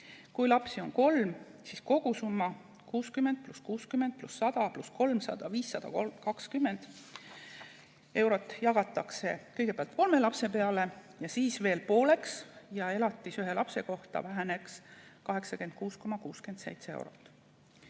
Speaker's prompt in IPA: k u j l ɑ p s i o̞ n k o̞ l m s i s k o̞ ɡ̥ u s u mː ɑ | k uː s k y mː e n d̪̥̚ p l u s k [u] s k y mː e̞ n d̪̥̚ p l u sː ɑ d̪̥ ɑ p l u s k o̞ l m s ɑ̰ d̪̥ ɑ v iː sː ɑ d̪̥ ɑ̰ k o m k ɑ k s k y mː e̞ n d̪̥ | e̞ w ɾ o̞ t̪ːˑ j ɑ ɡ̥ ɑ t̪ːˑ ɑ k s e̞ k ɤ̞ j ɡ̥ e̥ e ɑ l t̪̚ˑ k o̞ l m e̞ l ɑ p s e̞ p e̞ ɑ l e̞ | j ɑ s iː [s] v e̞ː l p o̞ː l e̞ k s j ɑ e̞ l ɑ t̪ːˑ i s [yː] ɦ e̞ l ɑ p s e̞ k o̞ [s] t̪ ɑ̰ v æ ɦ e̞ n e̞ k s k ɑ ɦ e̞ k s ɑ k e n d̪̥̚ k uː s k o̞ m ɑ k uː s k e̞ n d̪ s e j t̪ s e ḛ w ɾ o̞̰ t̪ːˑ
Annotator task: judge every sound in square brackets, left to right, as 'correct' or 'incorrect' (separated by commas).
incorrect, correct, incorrect, incorrect